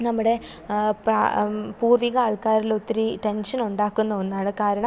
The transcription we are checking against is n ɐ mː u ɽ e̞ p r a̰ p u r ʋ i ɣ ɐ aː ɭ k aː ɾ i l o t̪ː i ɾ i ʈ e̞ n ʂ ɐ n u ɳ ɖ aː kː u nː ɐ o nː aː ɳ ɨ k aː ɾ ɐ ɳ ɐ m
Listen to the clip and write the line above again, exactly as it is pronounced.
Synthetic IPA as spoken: n ɐ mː u ɽ e̞ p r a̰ p uː r ʋ i ɣ ɐ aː ɭ k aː ɾ i l o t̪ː i ɾ i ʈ e̞ n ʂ ɐ n u ɳ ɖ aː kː u nː ɐ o nː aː ɳ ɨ k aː ɾ ɐ ɳ ɐ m